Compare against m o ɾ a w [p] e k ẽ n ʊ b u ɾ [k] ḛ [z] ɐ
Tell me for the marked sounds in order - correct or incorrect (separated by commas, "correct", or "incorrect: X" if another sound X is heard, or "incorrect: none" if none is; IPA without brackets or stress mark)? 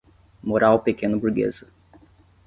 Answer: correct, incorrect: ɡ, correct